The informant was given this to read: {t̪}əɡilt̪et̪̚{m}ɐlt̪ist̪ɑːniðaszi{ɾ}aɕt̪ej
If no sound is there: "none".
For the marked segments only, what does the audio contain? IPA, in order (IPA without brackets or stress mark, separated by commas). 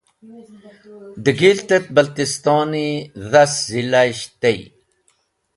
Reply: d̪, b, l